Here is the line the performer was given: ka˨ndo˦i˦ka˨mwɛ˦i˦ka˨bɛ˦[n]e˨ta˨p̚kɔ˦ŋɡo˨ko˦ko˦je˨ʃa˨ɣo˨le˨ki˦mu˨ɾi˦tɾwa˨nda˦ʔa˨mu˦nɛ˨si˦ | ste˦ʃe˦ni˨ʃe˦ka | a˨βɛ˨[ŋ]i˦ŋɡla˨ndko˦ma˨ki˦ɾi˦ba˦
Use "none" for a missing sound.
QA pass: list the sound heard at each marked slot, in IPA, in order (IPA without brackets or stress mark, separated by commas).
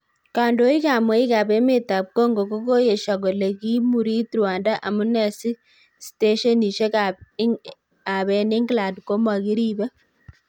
m, n